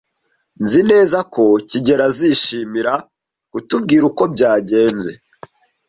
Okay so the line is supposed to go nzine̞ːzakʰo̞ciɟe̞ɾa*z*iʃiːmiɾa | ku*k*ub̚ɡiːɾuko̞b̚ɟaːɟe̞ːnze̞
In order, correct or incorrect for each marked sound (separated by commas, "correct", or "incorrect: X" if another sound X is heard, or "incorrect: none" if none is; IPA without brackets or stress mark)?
correct, incorrect: t